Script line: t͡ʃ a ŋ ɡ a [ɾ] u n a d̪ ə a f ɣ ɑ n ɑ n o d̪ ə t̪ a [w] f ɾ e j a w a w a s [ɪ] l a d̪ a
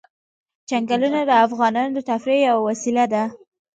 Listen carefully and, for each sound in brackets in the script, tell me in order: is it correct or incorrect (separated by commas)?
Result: incorrect, incorrect, incorrect